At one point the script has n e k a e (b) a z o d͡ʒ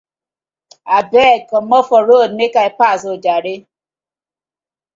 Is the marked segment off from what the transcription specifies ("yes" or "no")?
yes